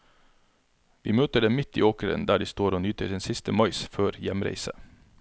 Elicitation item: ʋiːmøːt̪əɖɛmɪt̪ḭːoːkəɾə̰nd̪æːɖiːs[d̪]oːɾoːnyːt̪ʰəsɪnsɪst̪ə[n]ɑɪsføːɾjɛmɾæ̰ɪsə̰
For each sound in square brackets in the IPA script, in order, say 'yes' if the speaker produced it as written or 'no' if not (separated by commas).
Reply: no, no